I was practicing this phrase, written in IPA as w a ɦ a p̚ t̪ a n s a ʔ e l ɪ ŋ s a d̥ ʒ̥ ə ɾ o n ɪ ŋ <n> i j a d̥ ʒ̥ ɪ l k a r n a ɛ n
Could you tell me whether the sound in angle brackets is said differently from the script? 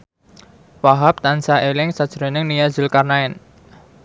no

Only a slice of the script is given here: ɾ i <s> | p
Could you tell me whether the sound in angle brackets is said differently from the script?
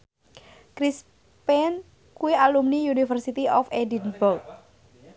no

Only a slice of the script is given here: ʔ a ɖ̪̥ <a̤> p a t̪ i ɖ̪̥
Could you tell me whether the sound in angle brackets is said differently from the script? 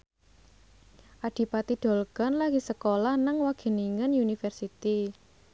yes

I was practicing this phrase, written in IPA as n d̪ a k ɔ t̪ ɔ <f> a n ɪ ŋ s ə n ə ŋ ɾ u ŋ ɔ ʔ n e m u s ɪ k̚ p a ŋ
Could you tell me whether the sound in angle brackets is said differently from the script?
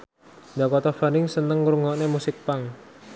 no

